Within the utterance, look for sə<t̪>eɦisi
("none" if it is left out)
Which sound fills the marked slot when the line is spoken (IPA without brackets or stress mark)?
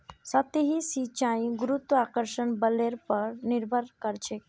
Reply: t̪